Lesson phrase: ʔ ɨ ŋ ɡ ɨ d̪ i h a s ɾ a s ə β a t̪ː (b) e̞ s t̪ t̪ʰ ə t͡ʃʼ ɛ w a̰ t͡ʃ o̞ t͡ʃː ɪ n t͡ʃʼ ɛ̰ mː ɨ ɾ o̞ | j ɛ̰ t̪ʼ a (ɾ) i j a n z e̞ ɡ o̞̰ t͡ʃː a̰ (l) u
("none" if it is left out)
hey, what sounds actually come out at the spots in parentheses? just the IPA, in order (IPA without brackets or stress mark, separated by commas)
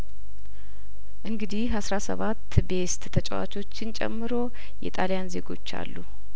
b, l, lː